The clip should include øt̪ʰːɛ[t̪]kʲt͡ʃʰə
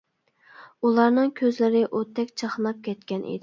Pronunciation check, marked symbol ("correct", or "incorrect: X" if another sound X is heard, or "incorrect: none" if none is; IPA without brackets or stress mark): incorrect: none